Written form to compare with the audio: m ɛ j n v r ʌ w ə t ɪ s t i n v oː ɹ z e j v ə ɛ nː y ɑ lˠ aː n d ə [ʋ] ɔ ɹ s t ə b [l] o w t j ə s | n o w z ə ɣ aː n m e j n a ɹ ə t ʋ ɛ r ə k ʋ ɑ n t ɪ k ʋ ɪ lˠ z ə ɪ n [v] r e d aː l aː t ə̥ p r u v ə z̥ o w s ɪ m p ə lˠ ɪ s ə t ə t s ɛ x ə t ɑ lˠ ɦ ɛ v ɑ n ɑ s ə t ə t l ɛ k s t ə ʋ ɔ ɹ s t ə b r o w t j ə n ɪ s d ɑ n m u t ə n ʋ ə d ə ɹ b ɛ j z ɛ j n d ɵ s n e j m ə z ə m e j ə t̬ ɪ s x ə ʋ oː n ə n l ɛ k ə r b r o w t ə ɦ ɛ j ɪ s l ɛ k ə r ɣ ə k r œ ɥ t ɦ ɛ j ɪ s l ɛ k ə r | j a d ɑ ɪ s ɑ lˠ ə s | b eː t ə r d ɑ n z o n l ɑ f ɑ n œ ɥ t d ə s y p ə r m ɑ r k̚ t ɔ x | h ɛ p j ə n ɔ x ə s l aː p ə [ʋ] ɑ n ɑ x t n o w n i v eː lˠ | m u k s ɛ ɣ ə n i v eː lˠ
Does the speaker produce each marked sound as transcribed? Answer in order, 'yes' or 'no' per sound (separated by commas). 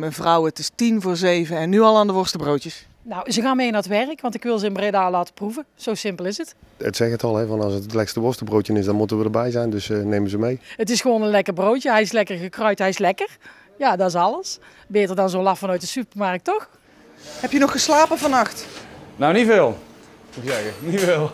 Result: yes, no, no, no